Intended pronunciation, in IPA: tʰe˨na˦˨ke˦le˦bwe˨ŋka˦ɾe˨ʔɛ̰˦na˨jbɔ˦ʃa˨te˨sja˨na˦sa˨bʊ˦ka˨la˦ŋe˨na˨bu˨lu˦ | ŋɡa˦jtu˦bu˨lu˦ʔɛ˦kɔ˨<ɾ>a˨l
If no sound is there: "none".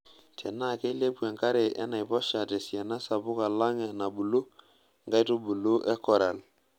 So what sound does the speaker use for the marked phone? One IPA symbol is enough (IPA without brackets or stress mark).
ɾ